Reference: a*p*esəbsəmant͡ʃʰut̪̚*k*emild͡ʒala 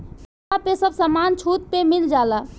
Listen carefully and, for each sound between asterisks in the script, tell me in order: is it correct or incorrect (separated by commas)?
correct, incorrect